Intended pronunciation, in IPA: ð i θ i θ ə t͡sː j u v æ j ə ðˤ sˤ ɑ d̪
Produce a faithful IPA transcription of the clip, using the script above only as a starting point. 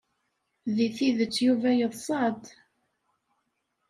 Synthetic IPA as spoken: ð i θ i ð ə t͡sː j u v æ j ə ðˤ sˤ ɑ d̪